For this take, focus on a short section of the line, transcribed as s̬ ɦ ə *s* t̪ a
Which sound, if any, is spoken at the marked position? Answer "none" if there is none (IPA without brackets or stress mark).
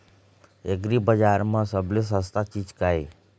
s